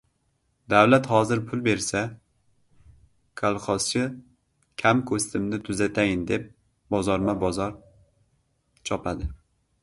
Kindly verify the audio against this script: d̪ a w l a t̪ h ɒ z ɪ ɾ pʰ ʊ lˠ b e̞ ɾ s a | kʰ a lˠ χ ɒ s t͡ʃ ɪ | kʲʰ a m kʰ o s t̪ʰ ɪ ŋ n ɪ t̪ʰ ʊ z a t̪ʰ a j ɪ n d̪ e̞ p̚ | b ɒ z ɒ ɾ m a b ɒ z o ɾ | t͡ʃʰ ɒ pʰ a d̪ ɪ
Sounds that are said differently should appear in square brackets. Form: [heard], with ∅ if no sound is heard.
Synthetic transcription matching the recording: d̪ a w l a t̪ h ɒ z ɪ ɾ pʰ ʊ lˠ b e̞ ɾ s a | kʰ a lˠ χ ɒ s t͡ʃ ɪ | kʲʰ a m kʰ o s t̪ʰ ɪ [m] n ɪ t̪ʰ ʊ z a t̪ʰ a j ɪ n d̪ e̞ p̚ | b ɒ z ɒ ɾ m a b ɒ z [ɒ] ɾ | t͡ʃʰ ɒ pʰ a d̪ ɪ